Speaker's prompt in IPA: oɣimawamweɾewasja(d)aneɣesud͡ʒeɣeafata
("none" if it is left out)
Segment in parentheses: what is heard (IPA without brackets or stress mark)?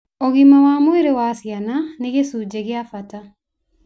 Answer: n